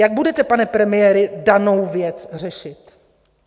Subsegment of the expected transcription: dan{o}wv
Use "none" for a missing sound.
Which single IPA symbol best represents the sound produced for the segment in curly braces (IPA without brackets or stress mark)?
o